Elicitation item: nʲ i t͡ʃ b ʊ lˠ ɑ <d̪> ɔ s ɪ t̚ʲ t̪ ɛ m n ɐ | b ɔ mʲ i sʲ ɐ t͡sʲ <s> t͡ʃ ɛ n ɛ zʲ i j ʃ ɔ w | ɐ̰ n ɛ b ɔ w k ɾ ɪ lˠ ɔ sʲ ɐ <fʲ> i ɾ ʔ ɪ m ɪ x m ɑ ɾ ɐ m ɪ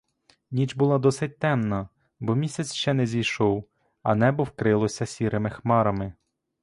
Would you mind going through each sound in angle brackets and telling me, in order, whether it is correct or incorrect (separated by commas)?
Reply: correct, incorrect, incorrect